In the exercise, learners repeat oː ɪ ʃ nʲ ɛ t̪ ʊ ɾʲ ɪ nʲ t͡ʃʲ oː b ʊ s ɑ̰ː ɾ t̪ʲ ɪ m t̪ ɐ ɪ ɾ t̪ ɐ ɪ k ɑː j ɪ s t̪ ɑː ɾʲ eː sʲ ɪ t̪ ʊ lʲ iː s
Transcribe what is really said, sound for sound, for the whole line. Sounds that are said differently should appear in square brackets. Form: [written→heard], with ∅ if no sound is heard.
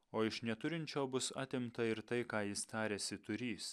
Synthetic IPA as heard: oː ɪ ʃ nʲ ɛ t̪ ʊ ɾʲ ɪ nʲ t͡ʃʲ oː b ʊ s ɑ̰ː [ɾ→∅] t̪ʲ ɪ m t̪ ɐ ɪ ɾ t̪ ɐ ɪ k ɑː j ɪ s t̪ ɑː ɾʲ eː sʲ ɪ t̪ ʊ [lʲ→ɾʲ] iː s